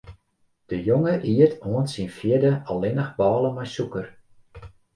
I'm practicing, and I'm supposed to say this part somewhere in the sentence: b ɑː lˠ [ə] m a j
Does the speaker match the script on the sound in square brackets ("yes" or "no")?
yes